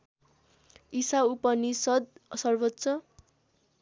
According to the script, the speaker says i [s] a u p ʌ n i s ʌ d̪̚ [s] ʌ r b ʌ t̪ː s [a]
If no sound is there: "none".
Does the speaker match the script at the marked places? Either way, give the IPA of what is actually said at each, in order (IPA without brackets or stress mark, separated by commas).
s, s, ʌ